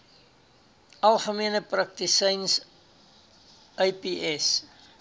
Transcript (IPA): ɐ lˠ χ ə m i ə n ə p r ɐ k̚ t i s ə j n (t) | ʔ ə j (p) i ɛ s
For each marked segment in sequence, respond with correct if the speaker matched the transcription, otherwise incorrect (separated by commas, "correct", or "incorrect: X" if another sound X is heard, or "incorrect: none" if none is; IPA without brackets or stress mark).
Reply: incorrect: s, correct